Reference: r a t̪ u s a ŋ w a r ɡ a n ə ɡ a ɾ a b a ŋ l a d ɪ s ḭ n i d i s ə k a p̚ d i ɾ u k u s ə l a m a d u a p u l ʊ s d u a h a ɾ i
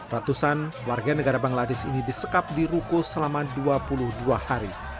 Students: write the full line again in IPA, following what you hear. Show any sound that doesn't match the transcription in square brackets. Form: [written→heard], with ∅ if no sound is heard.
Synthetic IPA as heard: r a t̪ u s a [ŋ→n] w a r ɡ a n ə ɡ a ɾ a b a ŋ l a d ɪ s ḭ n i d i s ə k a p̚ d i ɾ u k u s ə l a m a d u a p u l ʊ [s→h] d u a h a ɾ i